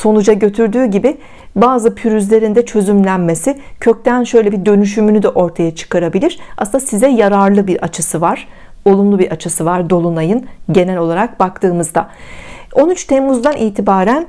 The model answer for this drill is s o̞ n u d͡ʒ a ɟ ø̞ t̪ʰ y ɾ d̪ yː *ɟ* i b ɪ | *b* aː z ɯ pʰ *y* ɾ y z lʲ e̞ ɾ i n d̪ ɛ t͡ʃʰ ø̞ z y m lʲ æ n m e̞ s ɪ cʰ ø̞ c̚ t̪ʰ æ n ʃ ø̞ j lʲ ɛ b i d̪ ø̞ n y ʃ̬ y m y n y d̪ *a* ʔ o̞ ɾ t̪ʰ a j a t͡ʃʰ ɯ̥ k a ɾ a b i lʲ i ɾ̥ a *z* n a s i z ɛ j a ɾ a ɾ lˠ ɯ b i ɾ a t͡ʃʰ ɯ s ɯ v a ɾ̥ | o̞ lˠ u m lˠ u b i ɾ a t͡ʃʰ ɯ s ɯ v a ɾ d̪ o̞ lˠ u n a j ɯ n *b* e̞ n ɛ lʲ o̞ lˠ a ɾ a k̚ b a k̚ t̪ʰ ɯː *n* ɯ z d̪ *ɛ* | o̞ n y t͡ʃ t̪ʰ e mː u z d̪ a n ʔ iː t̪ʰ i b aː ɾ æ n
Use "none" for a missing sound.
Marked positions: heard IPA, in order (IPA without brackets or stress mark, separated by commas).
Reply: ɟ, b, y, ɛ, s, ɟ, m, a